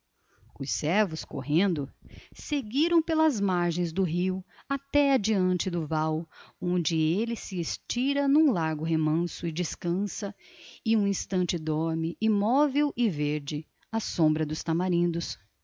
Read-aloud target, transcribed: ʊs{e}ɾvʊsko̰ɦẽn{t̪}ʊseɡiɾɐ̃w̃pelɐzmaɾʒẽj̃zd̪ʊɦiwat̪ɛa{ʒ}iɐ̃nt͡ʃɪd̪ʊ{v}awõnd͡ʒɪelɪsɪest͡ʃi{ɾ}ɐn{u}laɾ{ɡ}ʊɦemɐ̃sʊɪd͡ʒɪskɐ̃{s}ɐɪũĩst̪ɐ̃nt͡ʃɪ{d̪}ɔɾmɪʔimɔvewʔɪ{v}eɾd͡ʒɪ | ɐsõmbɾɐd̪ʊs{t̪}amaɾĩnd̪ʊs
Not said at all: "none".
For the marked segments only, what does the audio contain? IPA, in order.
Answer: ɛ, d̪, d͡ʒ, v, ɾ, ũ, ɡ, s, d̪, v, t̪

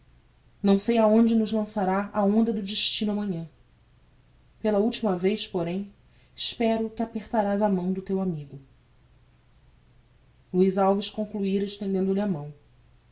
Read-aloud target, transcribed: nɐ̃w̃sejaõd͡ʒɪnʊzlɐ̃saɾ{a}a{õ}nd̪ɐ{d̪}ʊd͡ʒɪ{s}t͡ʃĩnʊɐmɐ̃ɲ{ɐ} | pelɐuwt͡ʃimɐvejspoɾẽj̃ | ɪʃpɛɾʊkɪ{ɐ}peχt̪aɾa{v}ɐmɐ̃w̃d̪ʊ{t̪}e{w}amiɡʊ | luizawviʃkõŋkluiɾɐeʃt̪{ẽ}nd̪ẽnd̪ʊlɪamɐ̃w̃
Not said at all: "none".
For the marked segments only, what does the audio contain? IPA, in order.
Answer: a, õ, d̪, ʃ, ɐ̃, a, z, t̪, w, ẽ

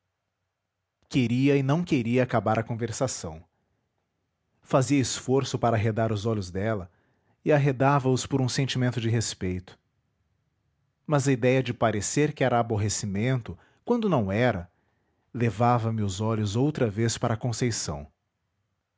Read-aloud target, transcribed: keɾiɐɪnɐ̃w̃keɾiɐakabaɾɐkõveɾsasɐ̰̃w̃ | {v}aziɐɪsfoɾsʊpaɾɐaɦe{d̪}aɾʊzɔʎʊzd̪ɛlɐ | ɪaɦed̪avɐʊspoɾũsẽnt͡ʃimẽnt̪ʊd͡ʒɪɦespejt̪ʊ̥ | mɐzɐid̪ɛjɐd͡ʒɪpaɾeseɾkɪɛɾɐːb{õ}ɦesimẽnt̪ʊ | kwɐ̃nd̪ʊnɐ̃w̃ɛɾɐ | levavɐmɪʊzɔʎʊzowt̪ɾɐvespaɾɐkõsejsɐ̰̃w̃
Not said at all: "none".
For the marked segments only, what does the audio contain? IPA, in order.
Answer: f, d̪, o

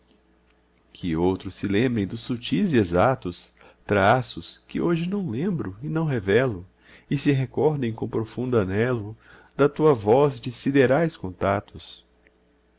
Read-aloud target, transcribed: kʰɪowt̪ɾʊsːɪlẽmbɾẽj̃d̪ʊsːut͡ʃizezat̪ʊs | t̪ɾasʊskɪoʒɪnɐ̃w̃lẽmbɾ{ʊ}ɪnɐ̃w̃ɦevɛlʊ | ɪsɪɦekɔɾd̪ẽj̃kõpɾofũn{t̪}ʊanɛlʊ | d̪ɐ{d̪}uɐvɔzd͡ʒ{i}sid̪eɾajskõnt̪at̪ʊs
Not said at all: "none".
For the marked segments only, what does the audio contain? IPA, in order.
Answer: ʊ, d̪, t̪, ɪ

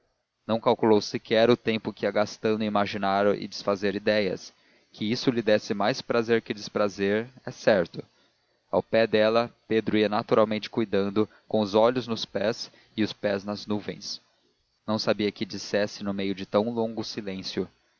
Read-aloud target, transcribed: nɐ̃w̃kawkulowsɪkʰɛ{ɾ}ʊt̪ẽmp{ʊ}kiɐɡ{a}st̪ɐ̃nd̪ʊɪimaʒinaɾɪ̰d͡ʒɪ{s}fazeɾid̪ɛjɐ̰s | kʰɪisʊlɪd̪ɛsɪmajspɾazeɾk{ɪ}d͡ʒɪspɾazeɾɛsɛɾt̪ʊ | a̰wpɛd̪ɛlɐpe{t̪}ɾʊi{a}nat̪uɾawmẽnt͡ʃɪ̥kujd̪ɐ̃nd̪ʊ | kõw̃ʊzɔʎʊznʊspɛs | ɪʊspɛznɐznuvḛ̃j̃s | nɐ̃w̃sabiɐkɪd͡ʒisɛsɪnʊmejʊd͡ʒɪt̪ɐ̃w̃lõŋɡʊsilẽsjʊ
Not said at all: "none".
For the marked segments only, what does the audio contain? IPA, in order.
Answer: ɾ, ʊ, a, s, ɪ, d̪, ɐ

